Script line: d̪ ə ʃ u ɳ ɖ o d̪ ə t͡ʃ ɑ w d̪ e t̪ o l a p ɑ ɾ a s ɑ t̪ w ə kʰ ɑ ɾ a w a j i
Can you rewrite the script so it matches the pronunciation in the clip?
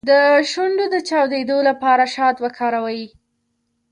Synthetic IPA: d̪ ə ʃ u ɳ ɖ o d̪ ə t͡ʃ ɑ w d̪ e d̪ o l a p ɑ ɾ a ʃ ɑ t̪ w ə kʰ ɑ ɾ a w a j i